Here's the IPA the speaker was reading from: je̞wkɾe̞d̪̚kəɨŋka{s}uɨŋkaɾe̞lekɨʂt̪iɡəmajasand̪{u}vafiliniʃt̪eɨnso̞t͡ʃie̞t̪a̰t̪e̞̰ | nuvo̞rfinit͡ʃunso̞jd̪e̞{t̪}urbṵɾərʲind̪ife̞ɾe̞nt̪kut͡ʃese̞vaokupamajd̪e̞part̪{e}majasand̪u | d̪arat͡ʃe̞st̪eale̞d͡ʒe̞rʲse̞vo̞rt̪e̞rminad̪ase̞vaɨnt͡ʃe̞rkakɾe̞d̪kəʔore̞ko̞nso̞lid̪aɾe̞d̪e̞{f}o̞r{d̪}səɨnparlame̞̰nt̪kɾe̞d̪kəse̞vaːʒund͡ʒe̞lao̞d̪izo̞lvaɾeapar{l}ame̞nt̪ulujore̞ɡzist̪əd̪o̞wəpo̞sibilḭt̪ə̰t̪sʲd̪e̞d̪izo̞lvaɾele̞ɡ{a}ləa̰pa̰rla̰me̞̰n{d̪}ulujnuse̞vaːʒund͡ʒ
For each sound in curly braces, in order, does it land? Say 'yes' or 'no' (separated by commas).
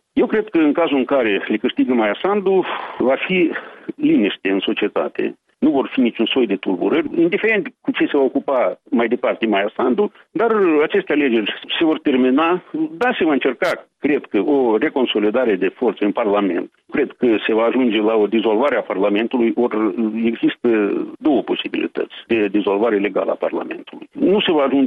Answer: no, yes, yes, yes, yes, no, yes, yes, no